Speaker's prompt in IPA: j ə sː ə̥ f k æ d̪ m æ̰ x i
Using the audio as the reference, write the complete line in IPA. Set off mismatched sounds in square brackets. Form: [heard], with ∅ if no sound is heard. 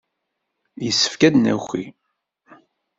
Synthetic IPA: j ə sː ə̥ f k æ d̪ [n] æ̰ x i